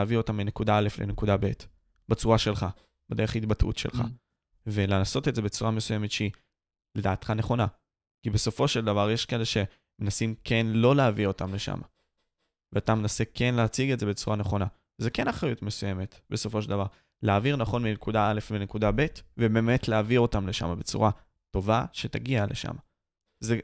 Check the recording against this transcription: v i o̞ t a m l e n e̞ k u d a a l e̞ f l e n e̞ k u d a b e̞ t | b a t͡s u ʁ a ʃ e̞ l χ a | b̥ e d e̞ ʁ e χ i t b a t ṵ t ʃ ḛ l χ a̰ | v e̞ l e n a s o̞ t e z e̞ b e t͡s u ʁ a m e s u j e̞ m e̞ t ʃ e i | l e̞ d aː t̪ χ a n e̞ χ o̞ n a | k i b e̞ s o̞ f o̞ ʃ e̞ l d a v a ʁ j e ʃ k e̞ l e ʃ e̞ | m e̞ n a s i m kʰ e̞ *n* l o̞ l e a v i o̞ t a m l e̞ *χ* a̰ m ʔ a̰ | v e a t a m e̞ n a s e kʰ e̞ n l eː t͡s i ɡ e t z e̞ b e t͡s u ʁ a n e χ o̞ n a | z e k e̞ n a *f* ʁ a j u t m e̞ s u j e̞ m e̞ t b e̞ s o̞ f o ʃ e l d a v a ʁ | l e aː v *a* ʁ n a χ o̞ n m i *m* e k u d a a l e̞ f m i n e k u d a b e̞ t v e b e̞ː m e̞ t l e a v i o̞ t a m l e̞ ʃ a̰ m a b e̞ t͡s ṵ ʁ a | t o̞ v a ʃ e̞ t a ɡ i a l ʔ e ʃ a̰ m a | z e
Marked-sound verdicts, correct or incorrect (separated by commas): correct, incorrect, incorrect, incorrect, incorrect